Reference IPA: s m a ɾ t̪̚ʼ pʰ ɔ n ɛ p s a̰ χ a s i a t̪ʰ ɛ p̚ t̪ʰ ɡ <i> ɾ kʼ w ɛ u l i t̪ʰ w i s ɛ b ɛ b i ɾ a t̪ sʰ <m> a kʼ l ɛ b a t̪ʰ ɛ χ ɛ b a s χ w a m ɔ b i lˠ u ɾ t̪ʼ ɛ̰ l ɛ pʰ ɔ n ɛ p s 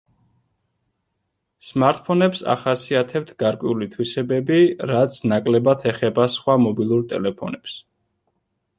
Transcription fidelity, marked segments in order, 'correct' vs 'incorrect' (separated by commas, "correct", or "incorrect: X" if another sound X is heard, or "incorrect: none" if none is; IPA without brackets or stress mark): incorrect: a, incorrect: n